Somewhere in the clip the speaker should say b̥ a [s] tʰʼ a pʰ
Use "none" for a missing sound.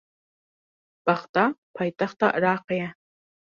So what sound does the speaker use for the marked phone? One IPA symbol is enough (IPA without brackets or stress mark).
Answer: χ